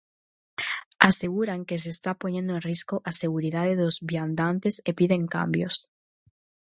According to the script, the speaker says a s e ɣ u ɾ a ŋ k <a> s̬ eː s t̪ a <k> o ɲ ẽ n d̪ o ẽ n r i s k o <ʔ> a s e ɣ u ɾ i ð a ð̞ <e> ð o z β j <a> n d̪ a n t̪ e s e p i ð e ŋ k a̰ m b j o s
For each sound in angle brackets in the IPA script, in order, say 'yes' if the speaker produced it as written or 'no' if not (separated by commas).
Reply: no, no, yes, yes, yes